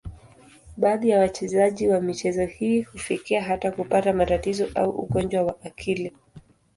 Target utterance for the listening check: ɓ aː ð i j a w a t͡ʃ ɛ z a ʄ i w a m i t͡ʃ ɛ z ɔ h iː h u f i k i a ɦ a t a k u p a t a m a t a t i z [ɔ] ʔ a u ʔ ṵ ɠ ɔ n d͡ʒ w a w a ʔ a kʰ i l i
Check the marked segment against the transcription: correct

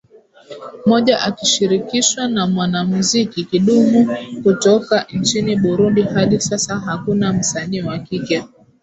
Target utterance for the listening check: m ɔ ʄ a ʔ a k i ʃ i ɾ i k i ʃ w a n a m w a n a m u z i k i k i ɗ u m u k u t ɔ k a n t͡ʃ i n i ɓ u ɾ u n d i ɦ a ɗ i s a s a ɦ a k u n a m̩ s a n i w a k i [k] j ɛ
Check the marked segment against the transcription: correct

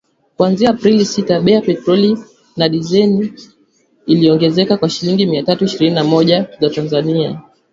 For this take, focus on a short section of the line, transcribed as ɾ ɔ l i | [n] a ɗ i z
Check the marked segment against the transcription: correct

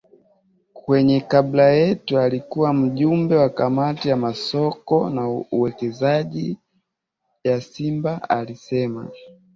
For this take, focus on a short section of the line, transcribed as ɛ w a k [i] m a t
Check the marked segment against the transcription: incorrect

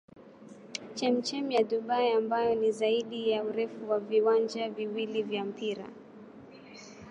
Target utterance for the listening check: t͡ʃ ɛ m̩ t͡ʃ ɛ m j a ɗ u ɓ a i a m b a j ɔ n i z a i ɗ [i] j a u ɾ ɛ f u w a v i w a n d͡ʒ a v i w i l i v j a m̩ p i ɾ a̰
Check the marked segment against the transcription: correct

